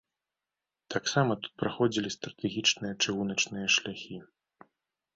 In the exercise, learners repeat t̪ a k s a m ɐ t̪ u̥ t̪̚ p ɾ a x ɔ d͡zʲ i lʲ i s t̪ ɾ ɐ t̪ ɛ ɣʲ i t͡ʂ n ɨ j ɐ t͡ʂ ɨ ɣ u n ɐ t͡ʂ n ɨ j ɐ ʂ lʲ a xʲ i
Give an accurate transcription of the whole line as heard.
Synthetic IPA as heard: t̪ a k s a m ɐ t̪ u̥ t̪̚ p ɾ a x ɔ d͡zʲ i lʲ i s t̪ ɾ ɐ t̪ ɛ ɣʲ i t͡ʂ n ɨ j ɐ t͡ʂ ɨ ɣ u n ɐ t͡ʂ n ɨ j ɐ ʂ lʲ a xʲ i